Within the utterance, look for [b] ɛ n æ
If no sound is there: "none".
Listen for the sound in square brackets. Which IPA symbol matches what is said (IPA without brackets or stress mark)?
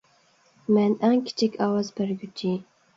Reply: m